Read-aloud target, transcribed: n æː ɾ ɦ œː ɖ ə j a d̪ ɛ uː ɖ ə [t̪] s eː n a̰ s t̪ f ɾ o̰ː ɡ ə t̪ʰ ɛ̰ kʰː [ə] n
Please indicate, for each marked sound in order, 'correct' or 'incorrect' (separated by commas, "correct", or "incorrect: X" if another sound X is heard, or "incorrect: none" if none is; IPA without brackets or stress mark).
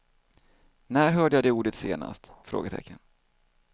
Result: correct, correct